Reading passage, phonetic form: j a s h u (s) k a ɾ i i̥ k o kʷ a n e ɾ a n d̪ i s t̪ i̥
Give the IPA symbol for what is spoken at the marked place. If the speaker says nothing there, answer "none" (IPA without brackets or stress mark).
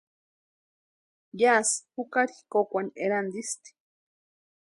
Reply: none